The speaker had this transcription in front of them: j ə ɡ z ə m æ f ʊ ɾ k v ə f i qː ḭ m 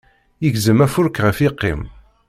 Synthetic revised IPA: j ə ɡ z ə m æ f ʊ ɾ k ʁ ə f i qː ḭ m